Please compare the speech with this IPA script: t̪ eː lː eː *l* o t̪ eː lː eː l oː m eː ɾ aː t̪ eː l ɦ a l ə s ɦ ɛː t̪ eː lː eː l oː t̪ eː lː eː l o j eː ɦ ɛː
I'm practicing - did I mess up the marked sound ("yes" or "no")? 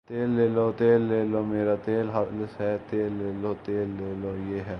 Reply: no